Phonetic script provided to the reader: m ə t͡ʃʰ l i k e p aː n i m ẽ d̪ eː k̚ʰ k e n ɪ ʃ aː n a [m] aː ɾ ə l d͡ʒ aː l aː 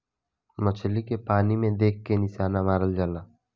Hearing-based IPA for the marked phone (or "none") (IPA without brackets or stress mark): m